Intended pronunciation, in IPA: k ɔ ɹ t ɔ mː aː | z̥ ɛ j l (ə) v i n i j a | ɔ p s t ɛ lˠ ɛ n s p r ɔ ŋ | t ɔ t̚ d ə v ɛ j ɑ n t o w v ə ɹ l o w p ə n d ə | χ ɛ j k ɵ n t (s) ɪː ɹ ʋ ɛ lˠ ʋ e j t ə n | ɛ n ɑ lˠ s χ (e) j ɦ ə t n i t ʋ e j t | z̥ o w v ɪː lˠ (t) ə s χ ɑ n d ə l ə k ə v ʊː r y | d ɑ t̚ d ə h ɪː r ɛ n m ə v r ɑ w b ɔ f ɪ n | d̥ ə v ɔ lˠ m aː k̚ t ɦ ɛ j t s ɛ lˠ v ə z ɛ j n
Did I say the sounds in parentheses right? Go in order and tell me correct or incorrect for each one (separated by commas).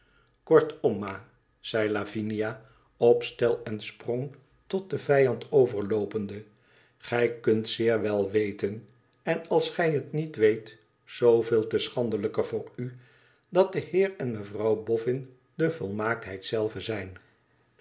incorrect, correct, incorrect, correct